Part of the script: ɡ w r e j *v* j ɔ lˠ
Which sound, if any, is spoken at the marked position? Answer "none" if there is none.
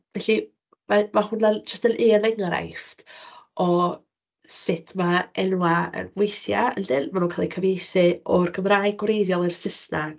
ð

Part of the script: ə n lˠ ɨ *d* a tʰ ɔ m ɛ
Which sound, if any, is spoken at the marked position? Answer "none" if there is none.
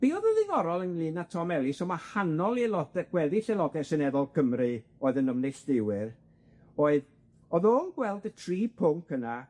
n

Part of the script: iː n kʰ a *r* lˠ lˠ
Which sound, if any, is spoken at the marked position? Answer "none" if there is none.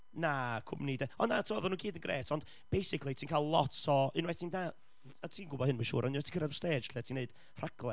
none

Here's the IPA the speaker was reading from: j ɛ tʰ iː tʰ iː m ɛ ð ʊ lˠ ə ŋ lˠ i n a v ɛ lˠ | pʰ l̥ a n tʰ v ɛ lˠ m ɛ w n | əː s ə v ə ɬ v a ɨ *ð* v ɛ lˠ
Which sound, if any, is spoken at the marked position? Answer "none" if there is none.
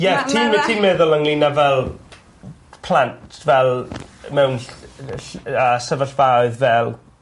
ð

